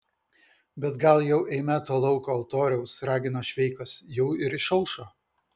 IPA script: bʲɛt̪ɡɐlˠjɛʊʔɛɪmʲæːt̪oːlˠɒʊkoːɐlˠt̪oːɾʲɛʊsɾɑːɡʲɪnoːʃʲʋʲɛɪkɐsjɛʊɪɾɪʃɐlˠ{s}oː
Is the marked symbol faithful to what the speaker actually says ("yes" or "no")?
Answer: no